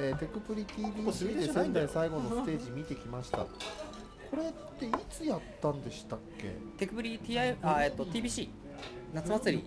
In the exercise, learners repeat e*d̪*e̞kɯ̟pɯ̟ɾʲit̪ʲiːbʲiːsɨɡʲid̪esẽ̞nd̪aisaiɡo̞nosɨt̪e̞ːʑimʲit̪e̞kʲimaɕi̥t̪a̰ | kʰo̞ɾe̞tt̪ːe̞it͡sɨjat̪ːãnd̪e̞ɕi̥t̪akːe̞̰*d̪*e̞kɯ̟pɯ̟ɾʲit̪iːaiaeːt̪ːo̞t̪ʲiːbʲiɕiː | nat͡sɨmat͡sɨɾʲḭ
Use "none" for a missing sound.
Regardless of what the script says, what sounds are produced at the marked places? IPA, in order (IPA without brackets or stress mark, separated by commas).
t̪, t̪